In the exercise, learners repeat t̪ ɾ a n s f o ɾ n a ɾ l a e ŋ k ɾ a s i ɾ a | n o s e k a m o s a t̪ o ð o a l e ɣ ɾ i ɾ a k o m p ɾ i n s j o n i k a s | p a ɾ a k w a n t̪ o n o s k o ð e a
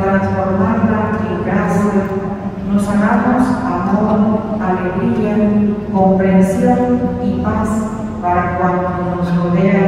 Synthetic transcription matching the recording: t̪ ɾ a n s f o ɾ m a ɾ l a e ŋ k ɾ a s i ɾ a | n o s a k a m o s a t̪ o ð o a l e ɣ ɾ i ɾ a k o m p ɾ e n s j o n i p a s | p a ɾ a k w a n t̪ o n o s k o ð e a